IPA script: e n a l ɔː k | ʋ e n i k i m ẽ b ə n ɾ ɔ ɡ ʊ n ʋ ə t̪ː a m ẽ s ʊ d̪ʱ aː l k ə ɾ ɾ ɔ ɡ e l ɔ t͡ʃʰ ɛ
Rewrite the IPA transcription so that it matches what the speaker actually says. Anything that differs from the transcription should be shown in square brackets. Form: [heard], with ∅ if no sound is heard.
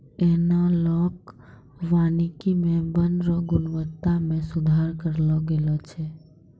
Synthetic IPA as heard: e n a l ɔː k | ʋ [a] n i k i m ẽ b ə n ɾ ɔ ɡ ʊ n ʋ ə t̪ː a m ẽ s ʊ d̪ʱ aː [ɾ] k ə ɾ [l] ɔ ɡ e l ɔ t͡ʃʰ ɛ